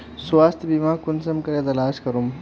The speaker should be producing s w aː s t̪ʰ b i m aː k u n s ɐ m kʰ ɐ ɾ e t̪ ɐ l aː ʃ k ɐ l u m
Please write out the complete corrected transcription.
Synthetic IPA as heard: s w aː s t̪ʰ b i m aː k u n s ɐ m k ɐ ɾ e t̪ ɐ l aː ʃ k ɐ ɾ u m